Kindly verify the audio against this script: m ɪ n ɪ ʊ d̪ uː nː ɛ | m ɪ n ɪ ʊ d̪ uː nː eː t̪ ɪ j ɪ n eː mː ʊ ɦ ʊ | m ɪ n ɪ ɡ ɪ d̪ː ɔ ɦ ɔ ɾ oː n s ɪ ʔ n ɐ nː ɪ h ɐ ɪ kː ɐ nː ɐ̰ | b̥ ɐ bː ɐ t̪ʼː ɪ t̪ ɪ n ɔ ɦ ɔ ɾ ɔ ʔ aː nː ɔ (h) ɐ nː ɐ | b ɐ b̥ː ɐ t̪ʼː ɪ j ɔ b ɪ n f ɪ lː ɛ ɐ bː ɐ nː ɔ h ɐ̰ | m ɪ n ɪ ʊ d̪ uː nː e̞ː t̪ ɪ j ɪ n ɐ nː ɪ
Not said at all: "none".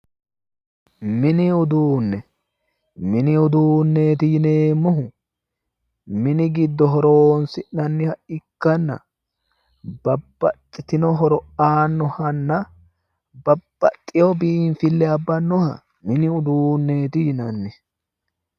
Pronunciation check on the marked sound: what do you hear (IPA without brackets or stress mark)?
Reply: h